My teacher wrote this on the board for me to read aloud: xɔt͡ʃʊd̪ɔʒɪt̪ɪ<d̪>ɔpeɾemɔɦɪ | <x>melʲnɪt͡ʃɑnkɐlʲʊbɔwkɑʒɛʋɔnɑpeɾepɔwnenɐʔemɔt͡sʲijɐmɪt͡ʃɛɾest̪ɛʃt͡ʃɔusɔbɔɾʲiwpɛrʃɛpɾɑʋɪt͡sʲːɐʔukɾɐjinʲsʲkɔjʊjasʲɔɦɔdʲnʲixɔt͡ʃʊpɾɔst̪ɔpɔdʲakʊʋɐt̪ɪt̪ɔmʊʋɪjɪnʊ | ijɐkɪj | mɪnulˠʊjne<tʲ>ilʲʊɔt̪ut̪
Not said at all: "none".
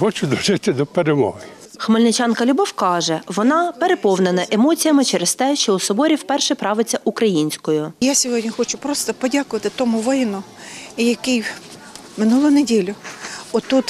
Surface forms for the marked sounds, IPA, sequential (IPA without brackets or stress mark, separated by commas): d̪, x, dʲ